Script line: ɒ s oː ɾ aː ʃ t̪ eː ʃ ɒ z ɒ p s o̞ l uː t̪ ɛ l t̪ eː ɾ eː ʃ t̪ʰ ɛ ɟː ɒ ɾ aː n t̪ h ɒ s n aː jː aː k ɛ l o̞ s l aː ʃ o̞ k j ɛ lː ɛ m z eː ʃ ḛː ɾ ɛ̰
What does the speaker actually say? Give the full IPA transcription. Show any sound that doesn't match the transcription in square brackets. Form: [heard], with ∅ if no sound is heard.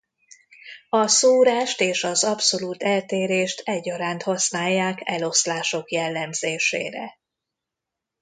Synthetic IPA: ɒ s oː ɾ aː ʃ t̪ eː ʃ ɒ z ɒ p s o̞ l uː t̪ ɛ l t̪ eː ɾ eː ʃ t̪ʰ ɛ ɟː ɒ ɾ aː n t̪ h ɒ s n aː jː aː k ɛ l o̞ s l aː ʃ o̞ k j ɛ lː ɛ m z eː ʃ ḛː ɾ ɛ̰